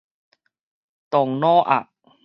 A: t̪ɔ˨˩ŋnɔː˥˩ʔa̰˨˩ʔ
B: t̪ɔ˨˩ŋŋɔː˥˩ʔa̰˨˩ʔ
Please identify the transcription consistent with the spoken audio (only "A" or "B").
A